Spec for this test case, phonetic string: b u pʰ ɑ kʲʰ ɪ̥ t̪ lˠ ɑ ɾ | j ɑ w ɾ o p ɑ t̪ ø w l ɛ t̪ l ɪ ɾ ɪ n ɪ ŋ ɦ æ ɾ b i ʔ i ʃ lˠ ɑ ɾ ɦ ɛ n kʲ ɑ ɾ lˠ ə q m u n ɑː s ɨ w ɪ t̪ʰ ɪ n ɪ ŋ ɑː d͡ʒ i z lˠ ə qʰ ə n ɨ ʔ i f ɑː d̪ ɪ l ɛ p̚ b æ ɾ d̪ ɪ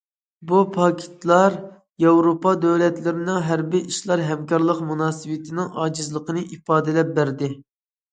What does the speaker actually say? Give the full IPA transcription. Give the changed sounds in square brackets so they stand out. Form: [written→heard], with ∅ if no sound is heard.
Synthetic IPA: b u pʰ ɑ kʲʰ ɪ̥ t̪ lˠ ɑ ɾ | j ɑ w ɾ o p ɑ [t̪→d̪] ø w l ɛ t̪ l ɪ ɾ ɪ n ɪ ŋ ɦ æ ɾ b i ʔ i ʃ lˠ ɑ ɾ ɦ ɛ [n→m] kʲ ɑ ɾ lˠ ə q m u n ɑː s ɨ w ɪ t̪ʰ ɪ n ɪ ŋ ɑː d͡ʒ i z lˠ ə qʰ ə n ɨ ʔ i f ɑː d̪ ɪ l ɛ p̚ b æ ɾ d̪ ɪ